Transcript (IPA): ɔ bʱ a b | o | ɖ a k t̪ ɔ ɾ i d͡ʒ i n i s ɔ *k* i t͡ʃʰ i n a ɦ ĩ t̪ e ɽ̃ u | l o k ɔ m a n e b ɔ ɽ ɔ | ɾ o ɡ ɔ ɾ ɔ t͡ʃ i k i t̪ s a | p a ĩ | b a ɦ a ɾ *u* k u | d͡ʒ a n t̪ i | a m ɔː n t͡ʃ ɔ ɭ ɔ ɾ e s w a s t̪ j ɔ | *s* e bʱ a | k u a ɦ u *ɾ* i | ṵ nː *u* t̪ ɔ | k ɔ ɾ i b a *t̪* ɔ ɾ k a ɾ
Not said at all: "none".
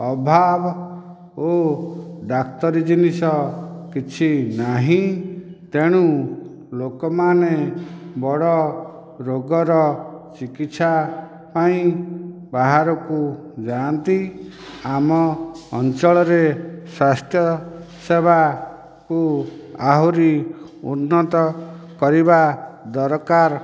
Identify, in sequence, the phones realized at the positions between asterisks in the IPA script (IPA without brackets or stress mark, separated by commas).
k, ɔ, s, ɾ, ɔ, d̪